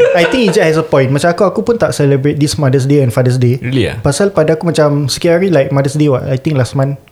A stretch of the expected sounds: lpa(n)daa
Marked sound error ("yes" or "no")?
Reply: yes